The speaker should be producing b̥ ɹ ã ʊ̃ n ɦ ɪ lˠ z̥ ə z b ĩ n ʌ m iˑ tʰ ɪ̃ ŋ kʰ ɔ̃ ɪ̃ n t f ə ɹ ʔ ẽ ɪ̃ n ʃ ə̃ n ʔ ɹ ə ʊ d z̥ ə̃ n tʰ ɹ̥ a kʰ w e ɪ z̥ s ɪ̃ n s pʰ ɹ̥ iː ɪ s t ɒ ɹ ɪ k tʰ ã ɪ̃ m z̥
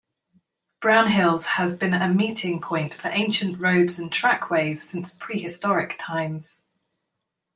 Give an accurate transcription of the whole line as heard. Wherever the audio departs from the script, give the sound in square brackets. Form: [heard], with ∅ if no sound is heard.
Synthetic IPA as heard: b̥ ɹ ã ʊ̃ n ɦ ɪ lˠ z̥ ə z b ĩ n [ə] m iˑ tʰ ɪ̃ ŋ [pʰ] ɔ̃ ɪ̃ n t f ə ɹ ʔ ẽ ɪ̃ n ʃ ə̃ n ʔ ɹ ə ʊ d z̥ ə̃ n tʰ ɹ̥ a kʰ w e ɪ z̥ s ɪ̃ n s pʰ ɹ̥ iː ɪ s t ɒ ɹ ɪ k tʰ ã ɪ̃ m z̥